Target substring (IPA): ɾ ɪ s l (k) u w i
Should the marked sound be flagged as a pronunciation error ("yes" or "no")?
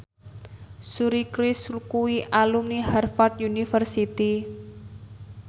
no